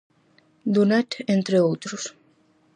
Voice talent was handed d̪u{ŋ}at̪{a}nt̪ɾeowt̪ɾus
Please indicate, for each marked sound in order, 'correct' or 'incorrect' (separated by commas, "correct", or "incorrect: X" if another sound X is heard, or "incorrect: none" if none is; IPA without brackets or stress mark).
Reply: incorrect: n, incorrect: e